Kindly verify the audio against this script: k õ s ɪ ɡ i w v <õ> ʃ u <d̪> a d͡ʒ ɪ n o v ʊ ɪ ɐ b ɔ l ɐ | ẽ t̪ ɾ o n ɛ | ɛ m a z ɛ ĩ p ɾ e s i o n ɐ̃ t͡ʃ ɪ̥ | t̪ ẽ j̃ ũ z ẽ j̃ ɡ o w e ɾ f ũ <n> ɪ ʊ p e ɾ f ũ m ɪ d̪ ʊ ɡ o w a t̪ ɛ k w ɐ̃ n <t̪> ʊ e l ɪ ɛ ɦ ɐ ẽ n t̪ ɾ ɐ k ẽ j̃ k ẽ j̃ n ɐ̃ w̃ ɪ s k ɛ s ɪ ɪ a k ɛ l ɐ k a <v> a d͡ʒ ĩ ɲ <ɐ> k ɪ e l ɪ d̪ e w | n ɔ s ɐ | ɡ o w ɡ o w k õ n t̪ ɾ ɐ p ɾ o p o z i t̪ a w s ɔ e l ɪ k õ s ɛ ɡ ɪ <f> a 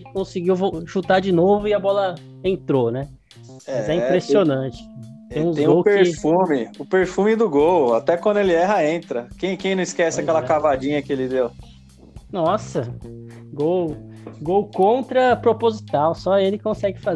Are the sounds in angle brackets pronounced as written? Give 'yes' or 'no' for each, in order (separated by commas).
no, no, no, no, yes, yes, yes